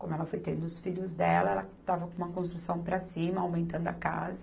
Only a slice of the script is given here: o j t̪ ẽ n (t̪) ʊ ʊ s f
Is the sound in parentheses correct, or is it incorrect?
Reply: incorrect: d̪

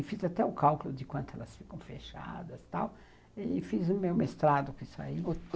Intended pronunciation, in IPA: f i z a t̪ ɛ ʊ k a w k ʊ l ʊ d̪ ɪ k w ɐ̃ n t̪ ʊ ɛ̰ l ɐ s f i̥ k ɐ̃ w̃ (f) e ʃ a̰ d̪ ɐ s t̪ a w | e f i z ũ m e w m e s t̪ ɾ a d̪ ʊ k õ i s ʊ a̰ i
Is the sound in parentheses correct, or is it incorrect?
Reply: correct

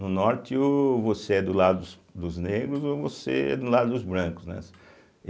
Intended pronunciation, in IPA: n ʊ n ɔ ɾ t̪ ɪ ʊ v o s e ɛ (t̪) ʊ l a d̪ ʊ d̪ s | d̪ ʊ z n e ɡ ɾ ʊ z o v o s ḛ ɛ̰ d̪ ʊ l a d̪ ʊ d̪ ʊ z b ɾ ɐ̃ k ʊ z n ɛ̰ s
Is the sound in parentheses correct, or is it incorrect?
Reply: incorrect: d̪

